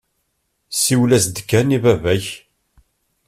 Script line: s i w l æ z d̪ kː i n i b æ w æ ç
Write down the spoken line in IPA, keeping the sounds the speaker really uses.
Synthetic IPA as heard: s i w l æ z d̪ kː æ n i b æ v æ ç